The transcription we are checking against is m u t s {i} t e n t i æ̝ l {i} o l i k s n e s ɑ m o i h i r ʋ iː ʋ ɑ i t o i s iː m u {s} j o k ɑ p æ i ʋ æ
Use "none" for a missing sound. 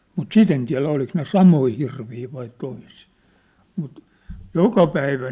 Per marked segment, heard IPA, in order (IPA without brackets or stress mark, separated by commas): i, æ, t